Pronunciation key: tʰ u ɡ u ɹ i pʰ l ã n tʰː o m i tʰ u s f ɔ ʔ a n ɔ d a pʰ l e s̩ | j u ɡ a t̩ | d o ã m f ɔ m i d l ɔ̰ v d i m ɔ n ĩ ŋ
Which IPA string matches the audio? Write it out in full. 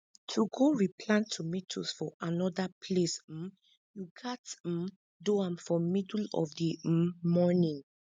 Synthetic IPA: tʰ u ɡ o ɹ i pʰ l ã n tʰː u m i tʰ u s f ɔ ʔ a n ɔ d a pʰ l e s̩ | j u ɡ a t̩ | d o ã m f ɔ m i d l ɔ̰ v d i m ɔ n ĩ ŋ